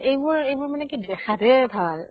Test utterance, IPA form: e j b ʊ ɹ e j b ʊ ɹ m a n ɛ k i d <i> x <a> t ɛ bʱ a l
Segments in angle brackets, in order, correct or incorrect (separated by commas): incorrect, correct